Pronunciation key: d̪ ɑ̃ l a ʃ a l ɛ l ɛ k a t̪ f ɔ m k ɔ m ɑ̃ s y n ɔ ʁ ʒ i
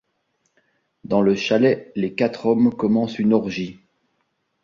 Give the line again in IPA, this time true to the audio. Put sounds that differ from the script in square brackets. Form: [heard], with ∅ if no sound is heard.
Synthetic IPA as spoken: d̪ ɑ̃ l [ə] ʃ a l ɛ l [e] k a t̪ [χ] ɔ m k ɔ m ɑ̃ s y n ɔ ʁ ʒ i